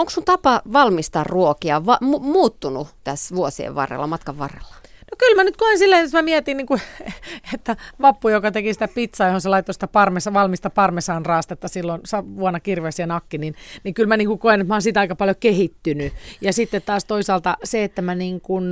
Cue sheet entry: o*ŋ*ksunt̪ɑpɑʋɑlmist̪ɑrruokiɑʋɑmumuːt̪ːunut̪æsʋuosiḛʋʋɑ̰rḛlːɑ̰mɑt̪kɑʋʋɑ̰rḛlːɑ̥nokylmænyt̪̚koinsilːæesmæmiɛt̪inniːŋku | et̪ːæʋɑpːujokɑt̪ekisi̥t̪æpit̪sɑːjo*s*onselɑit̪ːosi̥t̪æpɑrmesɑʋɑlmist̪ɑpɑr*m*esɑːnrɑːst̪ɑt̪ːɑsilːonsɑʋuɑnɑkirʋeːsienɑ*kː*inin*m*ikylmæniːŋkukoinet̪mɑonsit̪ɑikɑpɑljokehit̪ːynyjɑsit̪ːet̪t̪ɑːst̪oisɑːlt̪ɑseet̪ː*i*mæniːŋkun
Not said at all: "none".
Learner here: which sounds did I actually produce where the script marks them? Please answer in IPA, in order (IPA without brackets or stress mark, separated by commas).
ŋ, h, m, kː, n, æ